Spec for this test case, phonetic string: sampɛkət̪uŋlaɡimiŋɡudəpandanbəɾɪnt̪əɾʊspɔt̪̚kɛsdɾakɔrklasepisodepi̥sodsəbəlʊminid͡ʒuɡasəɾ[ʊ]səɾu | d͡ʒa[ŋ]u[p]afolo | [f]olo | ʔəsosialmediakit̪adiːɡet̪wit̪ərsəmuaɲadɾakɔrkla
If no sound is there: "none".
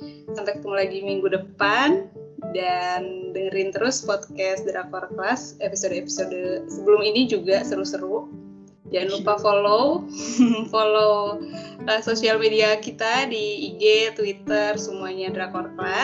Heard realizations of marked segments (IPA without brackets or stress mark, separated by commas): u, n, p, f